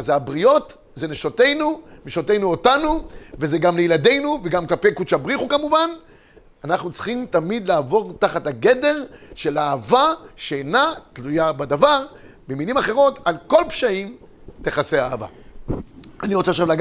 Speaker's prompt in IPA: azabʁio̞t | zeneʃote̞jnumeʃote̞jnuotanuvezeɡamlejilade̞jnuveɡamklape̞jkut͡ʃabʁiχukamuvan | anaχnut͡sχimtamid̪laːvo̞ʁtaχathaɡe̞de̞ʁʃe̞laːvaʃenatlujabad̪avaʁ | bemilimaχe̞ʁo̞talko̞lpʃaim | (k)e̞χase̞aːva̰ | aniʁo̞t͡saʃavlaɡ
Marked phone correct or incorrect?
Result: incorrect